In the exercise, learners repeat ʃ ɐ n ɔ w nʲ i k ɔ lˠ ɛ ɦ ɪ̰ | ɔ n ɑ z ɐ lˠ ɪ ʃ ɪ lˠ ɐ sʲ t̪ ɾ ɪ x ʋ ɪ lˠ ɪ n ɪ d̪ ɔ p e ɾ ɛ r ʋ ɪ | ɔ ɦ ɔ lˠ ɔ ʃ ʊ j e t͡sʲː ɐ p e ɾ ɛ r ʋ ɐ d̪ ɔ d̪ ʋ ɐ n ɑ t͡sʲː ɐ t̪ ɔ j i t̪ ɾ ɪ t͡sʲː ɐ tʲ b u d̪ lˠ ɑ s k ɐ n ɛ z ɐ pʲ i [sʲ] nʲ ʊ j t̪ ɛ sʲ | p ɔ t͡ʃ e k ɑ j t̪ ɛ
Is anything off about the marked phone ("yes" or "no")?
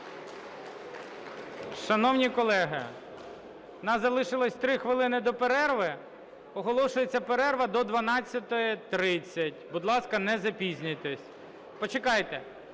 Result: yes